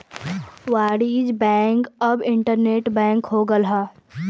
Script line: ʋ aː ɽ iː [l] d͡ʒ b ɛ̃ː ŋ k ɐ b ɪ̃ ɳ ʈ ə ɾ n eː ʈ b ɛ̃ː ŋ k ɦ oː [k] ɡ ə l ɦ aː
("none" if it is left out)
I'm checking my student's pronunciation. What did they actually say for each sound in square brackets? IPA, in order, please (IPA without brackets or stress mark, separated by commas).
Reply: none, none